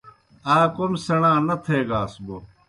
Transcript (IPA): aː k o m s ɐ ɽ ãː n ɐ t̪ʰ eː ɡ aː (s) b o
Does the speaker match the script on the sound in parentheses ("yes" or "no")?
yes